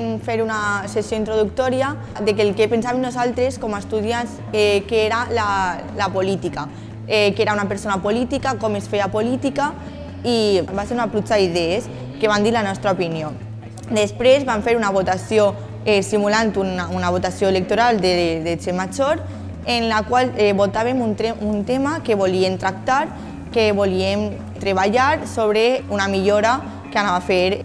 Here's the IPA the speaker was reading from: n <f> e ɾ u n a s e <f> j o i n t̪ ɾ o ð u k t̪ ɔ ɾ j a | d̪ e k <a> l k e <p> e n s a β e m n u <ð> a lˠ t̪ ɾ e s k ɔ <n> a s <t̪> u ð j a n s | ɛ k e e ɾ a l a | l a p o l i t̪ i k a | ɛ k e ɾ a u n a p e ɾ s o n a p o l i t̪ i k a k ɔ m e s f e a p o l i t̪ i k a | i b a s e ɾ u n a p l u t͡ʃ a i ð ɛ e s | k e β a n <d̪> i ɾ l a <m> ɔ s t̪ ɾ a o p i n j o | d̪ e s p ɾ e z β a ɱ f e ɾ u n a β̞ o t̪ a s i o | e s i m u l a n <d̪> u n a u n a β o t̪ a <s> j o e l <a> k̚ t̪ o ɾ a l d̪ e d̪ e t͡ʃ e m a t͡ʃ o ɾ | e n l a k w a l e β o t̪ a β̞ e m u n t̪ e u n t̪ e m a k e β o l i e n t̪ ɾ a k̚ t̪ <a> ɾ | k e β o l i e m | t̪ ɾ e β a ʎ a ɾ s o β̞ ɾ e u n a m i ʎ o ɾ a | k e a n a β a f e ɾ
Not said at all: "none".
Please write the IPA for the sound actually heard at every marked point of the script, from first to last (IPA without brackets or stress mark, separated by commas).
f, s, e, p, z, m, t̪, d̪, n, t̪, s, e, a